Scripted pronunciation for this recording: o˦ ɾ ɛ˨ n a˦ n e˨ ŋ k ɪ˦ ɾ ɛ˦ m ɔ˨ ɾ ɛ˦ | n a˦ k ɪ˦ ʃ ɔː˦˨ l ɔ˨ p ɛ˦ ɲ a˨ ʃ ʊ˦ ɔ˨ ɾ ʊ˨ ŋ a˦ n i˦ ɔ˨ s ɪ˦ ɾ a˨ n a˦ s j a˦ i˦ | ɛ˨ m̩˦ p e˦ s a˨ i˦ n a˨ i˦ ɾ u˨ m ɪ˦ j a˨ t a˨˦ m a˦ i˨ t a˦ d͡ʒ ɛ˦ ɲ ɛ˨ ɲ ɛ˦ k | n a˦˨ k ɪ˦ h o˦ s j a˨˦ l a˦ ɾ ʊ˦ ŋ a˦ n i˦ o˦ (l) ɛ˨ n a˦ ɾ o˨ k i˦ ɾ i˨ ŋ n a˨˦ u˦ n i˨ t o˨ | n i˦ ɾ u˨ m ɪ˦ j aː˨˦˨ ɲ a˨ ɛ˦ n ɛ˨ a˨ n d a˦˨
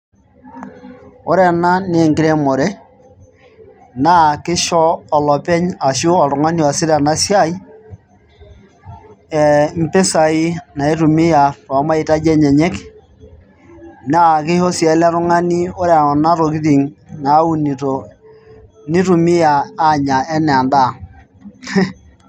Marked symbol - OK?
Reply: no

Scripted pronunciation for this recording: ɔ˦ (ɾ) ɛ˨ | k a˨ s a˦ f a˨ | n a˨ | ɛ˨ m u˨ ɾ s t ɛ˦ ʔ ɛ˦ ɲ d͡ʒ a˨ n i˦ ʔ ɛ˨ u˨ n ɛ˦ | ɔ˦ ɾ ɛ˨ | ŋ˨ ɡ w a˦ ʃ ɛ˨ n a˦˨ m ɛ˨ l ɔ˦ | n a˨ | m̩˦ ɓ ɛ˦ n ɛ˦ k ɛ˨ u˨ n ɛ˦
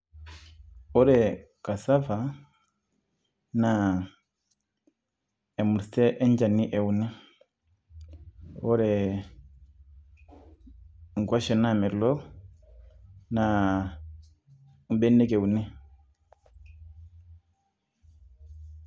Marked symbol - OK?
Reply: yes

